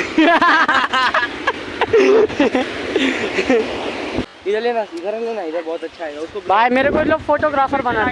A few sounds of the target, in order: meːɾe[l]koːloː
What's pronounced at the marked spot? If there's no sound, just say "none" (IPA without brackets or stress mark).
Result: none